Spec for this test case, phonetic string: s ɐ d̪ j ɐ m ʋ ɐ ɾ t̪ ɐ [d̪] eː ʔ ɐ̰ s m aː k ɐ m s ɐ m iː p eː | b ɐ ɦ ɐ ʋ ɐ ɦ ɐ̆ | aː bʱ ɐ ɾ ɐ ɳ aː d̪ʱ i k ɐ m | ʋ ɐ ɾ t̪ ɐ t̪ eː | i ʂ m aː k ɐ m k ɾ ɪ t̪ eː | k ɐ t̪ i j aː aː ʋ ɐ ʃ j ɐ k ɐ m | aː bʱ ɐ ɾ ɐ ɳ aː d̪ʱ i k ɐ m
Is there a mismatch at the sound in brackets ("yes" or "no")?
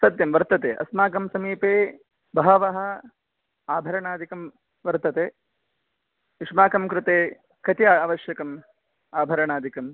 yes